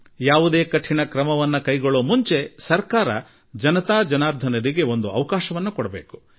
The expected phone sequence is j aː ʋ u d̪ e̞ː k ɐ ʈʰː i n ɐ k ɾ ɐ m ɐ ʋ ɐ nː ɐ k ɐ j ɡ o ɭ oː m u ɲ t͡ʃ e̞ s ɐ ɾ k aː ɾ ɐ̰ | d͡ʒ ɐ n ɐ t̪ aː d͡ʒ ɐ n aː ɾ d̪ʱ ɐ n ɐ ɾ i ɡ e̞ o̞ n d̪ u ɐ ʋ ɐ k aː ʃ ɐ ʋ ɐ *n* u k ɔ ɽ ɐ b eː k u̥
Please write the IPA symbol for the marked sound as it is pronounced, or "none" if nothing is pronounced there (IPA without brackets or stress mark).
nː